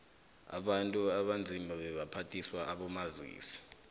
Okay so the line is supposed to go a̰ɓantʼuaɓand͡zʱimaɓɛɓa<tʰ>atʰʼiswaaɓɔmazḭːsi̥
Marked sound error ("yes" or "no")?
yes